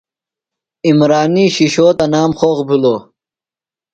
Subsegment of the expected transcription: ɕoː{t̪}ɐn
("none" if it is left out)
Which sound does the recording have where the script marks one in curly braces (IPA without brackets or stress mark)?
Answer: t̪